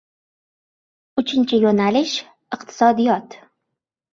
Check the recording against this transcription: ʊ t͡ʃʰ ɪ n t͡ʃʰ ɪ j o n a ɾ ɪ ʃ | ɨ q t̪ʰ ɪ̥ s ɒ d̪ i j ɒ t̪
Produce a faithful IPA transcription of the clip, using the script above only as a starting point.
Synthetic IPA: ʊ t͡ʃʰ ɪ n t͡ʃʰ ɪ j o n a l ɪ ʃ | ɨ q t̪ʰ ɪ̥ s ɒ d̪ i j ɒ t̪